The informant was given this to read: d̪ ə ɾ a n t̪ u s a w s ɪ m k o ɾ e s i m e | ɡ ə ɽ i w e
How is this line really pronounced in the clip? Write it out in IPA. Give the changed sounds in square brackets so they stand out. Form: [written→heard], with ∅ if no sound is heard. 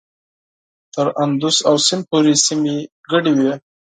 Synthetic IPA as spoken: [d̪→t̪] ə ɾ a n [t̪→d̪] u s a w s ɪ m [k→p] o ɾ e s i m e | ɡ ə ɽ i w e

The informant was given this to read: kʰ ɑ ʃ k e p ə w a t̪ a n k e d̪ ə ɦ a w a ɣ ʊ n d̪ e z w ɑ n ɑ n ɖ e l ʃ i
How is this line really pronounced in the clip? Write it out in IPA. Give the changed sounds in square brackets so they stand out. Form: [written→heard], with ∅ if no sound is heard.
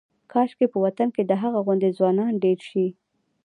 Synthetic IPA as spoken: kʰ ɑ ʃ k e p ə w a t̪ a n k e d̪ ə ɦ a [w→ɣ] a ɣ ʊ n d̪ e z w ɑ n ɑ n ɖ e [l→ɾ] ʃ i

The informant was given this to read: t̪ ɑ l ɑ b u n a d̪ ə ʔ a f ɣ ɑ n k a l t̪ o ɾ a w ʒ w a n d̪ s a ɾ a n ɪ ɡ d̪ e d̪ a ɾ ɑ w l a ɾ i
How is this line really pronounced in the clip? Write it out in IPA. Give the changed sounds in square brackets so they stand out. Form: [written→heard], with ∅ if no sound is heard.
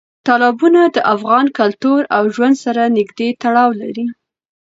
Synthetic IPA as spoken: t̪ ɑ l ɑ b u n a d̪ ə ʔ a f ɣ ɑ n k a l t̪ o ɾ a w ʒ w a n d̪ s a ɾ a n ɪ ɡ d̪ e [d̪→t̪] a [ɾ→ɽ] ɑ w l a ɾ i

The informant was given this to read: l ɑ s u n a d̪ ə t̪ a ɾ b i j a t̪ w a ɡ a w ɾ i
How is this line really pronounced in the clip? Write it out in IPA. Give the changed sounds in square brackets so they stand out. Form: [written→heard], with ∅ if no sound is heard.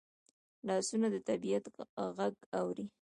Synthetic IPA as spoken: l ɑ s u n a d̪ ə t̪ a [ɾ→∅] b i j a t̪ [w→ɣ] a ɡ a w ɾ i

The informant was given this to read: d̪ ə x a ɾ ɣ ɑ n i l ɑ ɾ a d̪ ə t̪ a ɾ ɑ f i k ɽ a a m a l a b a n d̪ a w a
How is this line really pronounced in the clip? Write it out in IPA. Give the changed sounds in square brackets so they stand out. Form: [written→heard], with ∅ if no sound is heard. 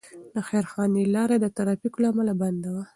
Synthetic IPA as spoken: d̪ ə x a ɾ [ɣ→x] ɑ n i l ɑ ɾ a d̪ ə t̪ a ɾ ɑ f i k [ɽ→l] a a m a l a b a n d̪ a w a

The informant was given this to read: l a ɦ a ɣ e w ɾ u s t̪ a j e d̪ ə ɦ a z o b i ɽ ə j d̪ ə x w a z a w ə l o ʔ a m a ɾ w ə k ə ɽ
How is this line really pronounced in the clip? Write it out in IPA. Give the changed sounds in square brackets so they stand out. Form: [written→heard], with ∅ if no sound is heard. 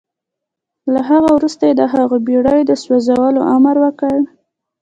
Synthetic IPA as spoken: l a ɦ a ɣ [e→a] w ɾ u s t̪ a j e d̪ ə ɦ a [z→ɣ] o b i ɽ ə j d̪ ə [x→s] w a z a w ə l o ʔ a m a ɾ w ə k ə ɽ

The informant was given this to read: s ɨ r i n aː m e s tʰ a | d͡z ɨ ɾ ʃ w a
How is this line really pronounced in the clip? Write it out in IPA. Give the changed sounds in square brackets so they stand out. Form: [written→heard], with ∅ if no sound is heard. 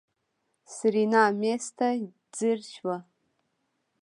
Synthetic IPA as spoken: s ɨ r i n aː m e s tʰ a | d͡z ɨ [ɾ→r] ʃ w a

